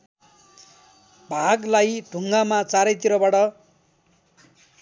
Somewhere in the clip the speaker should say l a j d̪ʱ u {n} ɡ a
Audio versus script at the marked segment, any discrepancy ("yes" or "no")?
yes